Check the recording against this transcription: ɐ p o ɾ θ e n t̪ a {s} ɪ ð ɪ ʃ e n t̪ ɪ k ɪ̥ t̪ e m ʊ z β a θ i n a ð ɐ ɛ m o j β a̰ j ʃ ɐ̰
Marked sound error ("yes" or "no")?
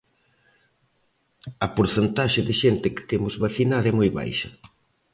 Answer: yes